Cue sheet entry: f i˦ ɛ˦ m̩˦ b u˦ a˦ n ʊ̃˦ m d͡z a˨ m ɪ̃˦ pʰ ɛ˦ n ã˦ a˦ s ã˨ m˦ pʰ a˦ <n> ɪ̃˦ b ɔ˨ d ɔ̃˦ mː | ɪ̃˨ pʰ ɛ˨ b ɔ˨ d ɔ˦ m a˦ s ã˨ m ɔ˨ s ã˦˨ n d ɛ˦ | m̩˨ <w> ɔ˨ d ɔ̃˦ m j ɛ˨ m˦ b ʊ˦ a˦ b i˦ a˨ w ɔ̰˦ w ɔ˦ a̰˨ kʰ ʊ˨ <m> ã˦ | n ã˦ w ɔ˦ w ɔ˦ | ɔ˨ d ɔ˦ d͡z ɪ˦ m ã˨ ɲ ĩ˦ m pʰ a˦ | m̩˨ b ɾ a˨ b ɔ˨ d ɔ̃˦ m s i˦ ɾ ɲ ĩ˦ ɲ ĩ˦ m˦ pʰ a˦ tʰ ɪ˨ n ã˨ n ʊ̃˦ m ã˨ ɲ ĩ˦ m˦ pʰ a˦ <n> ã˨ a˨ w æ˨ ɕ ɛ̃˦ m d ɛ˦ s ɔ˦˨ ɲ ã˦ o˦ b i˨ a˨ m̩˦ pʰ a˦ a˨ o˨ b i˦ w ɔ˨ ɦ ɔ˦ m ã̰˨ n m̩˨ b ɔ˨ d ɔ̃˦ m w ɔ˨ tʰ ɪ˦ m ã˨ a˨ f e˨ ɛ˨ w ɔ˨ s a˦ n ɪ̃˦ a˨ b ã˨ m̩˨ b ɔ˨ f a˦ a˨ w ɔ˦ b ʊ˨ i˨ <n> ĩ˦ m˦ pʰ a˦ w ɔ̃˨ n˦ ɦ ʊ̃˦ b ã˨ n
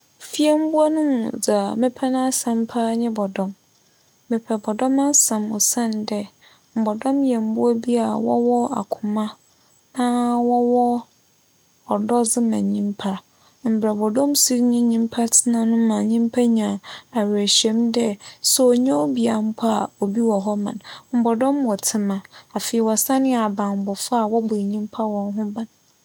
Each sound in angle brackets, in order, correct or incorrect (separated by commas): incorrect, incorrect, correct, incorrect, incorrect